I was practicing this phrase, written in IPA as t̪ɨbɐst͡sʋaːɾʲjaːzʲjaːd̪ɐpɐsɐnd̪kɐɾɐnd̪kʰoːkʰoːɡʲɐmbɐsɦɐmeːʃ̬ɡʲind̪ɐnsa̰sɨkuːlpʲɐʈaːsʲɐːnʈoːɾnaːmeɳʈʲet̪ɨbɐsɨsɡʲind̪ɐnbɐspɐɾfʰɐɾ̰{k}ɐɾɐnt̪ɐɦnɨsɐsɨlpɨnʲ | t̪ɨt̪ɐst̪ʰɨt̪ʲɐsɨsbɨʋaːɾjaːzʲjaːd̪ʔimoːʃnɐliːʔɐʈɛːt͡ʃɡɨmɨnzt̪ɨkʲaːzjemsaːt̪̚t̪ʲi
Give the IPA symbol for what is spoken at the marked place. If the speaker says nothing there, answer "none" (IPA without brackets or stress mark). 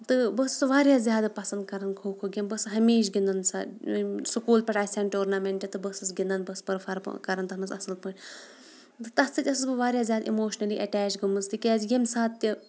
k